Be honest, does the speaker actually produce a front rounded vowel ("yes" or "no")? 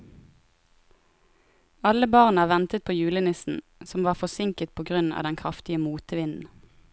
no